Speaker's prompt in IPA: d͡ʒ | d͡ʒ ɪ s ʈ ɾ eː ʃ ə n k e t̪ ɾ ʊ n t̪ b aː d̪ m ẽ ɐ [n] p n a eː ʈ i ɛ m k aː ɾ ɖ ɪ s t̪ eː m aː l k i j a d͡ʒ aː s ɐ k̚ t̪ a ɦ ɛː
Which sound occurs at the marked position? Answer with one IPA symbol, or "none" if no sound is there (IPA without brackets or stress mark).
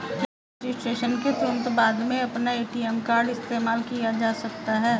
none